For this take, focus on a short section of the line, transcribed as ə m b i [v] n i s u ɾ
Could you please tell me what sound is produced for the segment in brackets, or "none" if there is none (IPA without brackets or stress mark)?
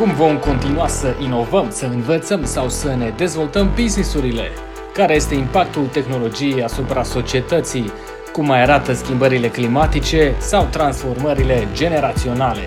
z